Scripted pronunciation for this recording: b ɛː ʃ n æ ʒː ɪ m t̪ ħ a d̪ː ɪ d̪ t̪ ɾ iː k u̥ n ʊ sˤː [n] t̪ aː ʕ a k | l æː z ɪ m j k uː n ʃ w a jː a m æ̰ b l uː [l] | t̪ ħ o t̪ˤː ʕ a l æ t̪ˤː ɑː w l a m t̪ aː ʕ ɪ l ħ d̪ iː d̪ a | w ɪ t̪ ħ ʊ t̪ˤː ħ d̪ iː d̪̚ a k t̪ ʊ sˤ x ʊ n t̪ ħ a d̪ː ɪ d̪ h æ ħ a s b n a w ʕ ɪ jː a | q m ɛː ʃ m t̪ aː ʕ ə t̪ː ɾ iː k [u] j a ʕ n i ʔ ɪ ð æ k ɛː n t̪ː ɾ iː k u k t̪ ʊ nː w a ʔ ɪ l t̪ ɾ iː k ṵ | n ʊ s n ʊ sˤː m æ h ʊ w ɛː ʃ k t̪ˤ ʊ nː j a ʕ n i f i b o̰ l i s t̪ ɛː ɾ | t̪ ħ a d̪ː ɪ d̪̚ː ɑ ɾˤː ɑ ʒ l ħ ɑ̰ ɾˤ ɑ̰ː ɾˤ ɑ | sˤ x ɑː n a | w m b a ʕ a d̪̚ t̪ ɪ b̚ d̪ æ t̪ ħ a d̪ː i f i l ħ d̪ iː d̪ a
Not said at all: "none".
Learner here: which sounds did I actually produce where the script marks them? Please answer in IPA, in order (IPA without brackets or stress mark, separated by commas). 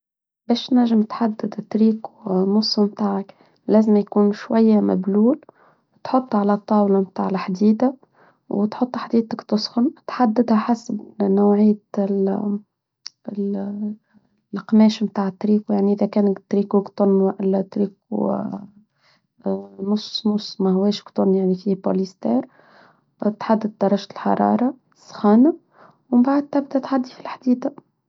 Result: m, l, u